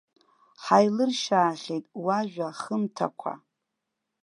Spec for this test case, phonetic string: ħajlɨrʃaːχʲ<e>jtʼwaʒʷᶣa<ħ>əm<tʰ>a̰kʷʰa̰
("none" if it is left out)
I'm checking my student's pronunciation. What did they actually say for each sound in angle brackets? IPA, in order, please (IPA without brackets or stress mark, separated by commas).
e, χ, tʰ